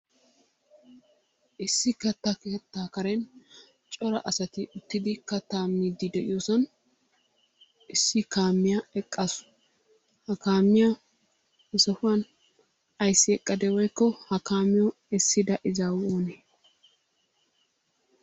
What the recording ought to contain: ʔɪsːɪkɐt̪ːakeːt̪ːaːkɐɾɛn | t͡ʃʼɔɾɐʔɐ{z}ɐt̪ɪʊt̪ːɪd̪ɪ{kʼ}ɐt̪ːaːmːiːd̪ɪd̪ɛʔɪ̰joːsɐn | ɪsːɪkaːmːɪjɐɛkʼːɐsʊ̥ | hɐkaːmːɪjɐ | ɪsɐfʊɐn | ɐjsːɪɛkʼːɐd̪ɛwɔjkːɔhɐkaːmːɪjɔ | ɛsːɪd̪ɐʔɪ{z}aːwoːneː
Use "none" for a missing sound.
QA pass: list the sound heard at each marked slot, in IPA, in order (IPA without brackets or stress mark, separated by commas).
s, k, z